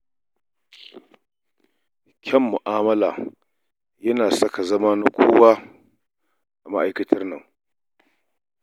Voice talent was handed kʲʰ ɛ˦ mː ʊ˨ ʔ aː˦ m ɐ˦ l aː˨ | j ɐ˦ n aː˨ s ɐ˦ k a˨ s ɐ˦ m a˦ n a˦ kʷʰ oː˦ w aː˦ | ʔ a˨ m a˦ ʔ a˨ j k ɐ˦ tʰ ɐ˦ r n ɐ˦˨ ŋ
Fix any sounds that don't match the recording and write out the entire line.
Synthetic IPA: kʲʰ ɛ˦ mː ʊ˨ ʔ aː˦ m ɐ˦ l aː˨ | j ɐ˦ n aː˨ s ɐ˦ k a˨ z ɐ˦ m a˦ n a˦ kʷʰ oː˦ w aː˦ | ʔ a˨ m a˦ ʔ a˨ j k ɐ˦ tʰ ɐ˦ r n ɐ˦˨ ŋ